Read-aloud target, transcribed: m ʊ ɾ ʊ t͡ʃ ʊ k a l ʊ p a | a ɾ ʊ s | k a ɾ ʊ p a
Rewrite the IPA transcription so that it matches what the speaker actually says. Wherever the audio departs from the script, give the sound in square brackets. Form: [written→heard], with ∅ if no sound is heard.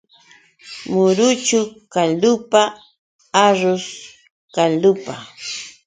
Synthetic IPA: m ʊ ɾ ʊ t͡ʃ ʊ k a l ʊ p a | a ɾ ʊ s | k a [ɾ→l] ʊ p a